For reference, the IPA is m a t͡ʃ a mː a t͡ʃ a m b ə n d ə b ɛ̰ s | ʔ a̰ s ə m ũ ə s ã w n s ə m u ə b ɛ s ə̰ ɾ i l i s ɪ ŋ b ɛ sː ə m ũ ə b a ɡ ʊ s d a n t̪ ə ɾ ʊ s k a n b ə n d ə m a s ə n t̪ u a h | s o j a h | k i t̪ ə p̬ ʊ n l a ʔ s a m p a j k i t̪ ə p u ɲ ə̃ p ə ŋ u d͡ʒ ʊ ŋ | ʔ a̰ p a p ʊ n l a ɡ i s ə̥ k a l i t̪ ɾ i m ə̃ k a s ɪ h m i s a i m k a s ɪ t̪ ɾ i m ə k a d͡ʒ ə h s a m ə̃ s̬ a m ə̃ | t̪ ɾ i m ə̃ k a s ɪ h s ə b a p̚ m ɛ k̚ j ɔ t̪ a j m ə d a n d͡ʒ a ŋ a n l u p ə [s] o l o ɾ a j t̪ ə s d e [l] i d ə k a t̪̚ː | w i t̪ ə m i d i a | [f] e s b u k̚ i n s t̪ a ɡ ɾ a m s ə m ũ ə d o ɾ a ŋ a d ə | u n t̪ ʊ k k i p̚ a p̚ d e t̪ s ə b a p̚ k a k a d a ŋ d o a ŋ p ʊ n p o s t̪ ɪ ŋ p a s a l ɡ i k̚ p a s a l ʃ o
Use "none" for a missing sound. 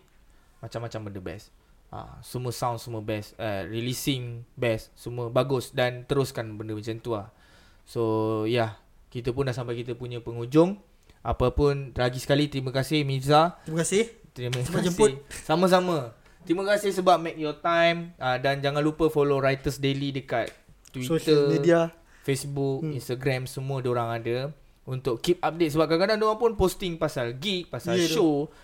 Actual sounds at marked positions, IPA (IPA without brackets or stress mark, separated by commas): f, l, f